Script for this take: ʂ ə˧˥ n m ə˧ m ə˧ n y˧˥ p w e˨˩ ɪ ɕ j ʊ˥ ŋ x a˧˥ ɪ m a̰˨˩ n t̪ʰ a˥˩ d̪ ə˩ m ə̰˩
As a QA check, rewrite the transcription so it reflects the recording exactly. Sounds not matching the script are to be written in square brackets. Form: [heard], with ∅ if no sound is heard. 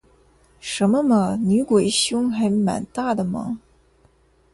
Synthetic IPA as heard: ʂ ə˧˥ n m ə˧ m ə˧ n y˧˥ [k] w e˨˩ ɪ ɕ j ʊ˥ ŋ x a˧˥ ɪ m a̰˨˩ n [t̪] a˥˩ d̪ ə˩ m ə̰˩